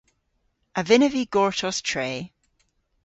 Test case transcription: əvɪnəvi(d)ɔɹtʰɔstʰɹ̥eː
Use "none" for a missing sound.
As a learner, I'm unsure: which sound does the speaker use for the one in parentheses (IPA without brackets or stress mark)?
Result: ɡ